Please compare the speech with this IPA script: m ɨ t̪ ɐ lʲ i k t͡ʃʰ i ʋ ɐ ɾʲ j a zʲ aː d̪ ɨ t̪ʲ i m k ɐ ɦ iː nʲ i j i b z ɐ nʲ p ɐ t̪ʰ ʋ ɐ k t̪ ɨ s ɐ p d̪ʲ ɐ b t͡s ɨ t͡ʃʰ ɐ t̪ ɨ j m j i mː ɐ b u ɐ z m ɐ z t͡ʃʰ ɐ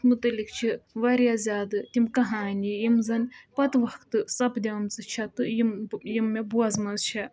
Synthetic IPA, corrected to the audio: m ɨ t̪ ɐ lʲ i k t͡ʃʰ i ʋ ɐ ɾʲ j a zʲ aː d̪ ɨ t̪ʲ i m k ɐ ɦ aː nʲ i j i m z ɐ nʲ p ɐ t̪ ʋ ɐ k t̪ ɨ s ɐ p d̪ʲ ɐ m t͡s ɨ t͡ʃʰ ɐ t̪ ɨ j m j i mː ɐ b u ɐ z m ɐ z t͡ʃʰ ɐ